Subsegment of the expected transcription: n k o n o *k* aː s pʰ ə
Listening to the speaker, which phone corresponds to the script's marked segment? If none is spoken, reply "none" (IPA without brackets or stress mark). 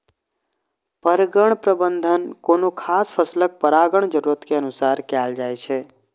kʰ